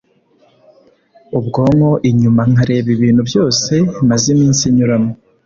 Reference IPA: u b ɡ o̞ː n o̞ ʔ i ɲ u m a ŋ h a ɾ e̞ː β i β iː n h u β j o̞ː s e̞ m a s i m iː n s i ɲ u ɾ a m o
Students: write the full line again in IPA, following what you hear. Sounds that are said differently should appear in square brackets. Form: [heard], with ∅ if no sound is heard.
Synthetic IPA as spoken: u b ɡ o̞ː [ŋ] o̞ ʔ i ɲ u m a ŋ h a ɾ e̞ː β i β iː n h u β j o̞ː s e̞ m a [z] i m iː n s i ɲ u ɾ a m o